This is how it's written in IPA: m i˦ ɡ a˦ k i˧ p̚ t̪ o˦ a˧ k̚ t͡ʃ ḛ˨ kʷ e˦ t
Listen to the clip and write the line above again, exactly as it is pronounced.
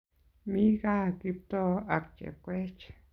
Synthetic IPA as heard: m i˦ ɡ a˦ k i˧ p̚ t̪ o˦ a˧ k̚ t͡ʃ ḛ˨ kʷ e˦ t͡ʃ